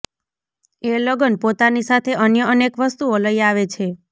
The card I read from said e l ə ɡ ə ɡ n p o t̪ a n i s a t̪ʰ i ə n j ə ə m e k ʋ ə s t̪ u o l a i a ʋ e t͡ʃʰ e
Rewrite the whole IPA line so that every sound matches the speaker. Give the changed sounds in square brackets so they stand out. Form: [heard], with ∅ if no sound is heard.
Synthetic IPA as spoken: e l ə ɡ ə [∅] n p o t̪ a n i s a t̪ʰ [e] ə n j ə ə [n] e k ʋ ə s t̪ u o l [ə] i a ʋ e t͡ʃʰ e